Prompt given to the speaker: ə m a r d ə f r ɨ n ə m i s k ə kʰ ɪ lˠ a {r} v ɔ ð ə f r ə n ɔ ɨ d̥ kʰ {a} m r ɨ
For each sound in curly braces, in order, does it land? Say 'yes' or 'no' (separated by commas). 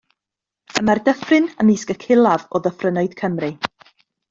no, no